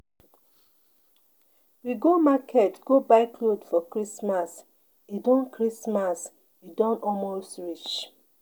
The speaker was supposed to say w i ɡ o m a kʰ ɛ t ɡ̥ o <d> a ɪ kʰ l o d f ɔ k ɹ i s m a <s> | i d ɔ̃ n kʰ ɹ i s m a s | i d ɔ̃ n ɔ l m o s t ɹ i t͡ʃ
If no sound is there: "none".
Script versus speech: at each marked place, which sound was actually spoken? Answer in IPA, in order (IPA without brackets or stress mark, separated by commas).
b, s